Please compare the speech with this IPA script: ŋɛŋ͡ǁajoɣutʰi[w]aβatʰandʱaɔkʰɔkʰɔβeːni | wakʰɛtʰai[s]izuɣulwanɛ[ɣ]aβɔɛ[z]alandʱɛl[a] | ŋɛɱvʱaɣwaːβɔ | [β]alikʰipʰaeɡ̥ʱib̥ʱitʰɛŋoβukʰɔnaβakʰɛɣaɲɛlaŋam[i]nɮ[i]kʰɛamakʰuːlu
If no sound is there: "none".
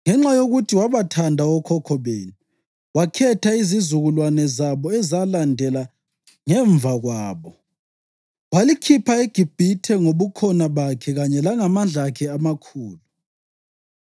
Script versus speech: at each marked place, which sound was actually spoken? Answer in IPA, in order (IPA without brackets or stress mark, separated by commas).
w, z, z, z, a, w, a, a